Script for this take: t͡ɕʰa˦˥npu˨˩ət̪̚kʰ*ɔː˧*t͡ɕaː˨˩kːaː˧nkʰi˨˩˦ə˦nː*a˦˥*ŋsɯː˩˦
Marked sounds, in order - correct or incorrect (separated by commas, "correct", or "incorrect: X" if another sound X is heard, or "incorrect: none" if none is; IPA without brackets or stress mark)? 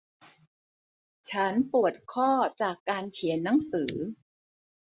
incorrect: ɔː˥˩, correct